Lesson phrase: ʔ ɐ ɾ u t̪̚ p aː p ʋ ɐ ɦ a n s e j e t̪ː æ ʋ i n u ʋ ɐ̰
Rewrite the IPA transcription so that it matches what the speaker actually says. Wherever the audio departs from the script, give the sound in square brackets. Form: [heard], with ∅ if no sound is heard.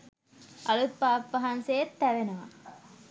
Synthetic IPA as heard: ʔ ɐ [l] u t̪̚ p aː p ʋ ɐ ɦ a n s e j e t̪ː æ ʋ [e] n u ʋ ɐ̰